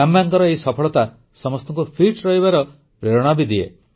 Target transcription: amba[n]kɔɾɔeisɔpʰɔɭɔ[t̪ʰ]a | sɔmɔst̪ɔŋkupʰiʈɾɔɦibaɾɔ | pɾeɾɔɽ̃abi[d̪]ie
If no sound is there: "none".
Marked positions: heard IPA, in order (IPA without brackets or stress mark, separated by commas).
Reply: ŋ, t̪, d̪